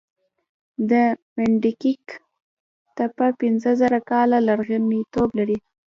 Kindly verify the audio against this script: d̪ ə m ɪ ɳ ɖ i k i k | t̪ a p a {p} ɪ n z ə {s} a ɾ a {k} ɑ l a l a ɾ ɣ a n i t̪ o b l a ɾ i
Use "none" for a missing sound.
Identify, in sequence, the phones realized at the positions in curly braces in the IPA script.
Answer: p, z, k

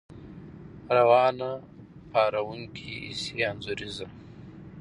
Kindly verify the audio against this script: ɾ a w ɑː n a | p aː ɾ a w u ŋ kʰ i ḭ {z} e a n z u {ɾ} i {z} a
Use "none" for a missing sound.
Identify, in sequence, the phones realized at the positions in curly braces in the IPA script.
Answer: s, ɾ, z

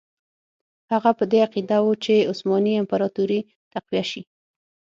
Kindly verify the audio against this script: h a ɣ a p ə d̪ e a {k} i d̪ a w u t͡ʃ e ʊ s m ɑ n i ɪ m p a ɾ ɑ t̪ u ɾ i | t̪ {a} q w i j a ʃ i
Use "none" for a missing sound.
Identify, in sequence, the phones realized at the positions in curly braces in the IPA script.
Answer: q, a

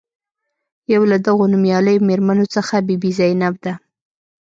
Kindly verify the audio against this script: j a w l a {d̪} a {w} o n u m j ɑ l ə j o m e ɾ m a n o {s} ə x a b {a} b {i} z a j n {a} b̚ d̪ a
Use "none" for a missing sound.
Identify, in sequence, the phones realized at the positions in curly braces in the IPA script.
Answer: d̪, ɣ, t͡s, i, i, a

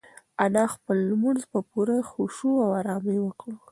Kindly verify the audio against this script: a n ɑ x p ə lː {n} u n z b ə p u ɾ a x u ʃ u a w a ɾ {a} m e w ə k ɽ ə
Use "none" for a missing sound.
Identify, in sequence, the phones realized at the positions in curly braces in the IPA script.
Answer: m, ɑ

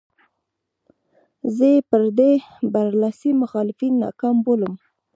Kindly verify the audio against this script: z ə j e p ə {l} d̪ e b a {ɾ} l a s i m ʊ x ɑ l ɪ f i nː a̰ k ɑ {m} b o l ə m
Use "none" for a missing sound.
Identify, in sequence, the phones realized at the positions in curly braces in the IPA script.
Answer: ɾ, ɾ, m

